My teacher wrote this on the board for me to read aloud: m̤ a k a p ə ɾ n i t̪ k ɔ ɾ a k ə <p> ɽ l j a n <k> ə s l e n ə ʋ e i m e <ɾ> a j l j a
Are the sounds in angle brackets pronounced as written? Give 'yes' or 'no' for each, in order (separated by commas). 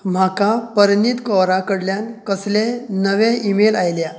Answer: no, yes, no